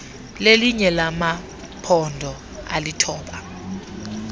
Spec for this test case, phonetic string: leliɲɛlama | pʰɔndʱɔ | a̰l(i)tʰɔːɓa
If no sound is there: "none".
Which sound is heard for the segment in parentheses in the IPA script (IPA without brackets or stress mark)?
i